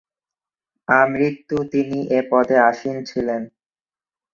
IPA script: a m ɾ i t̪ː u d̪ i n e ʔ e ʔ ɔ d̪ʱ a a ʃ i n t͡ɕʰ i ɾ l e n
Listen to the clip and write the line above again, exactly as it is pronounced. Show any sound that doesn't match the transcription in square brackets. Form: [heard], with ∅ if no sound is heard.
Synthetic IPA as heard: a m ɾ i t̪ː u [t̪] i n [i] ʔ e [p] ɔ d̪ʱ [e] a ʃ i n t͡ɕʰ i [∅] l e n